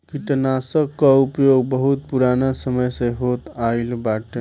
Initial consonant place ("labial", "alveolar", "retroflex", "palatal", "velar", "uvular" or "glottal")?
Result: velar